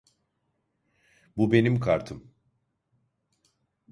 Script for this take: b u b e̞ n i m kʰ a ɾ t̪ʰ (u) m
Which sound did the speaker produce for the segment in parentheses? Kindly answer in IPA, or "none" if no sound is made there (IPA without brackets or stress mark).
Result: ɯ